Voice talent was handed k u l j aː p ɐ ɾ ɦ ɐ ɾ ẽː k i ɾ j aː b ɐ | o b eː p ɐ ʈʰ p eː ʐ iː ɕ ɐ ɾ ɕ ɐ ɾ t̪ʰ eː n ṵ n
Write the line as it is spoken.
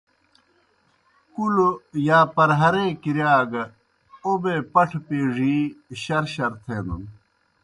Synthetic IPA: k u l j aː p ɐ ɾ ɦ ɐ ɾ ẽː k i ɾ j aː ɡ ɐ | o b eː p ɐ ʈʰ p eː ʐ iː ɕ ɐ ɾ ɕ ɐ ɾ t̪ʰ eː n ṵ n